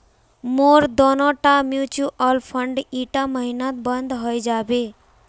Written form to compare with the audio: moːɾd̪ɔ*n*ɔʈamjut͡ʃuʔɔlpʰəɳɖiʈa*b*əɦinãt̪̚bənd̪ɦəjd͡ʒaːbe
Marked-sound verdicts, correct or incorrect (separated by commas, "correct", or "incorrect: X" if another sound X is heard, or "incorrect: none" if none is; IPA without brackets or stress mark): correct, incorrect: m